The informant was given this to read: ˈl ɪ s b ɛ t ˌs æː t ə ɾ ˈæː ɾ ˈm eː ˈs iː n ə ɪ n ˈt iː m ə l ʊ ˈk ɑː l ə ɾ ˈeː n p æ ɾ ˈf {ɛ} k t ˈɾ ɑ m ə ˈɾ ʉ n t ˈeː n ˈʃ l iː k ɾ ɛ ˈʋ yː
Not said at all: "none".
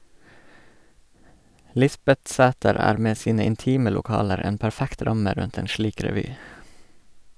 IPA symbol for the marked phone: æ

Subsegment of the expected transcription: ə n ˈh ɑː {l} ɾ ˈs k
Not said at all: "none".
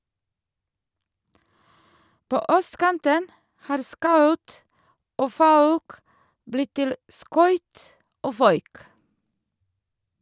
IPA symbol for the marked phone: none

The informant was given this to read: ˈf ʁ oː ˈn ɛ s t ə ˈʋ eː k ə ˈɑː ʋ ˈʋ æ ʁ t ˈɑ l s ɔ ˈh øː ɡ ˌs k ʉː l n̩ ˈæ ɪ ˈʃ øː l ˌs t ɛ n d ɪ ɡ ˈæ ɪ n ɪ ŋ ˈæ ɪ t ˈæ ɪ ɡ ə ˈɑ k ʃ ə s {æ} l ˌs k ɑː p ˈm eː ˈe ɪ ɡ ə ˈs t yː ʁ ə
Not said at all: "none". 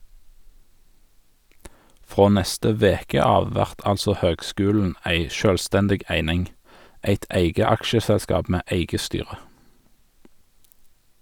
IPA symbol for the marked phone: ɛ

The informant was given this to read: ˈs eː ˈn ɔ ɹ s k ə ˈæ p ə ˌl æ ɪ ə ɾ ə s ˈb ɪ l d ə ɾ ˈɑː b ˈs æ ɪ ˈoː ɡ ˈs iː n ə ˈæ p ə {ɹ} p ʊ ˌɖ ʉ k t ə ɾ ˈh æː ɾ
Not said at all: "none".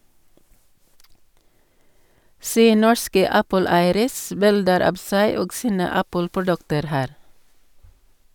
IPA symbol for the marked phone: l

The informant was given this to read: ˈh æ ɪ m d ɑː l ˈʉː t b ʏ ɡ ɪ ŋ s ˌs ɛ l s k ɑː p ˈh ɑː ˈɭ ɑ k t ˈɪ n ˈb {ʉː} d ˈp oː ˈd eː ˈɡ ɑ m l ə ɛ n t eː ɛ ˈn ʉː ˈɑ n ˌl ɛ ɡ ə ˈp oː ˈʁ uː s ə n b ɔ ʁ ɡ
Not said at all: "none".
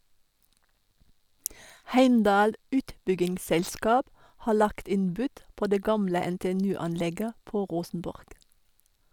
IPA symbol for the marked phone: ʉ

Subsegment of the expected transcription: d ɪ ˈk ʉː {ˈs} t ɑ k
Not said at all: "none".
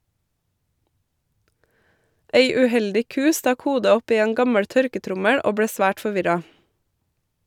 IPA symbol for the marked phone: s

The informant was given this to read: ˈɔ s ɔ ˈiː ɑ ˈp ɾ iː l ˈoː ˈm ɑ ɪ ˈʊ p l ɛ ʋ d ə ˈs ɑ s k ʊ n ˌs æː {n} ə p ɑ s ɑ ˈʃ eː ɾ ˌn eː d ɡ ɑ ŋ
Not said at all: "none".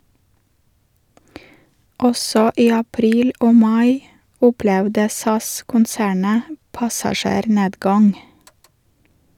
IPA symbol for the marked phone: ɳ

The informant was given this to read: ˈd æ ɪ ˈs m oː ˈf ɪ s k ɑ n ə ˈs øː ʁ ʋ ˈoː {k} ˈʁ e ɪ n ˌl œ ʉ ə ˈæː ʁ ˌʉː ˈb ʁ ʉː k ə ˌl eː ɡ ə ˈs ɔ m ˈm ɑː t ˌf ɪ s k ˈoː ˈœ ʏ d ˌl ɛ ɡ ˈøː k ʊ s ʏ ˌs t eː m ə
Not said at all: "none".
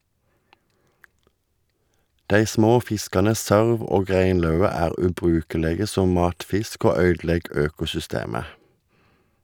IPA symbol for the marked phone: ɡ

